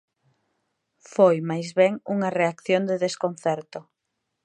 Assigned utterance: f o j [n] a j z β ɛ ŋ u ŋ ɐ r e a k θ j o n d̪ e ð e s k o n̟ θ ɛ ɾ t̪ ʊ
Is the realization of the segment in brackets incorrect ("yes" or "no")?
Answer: yes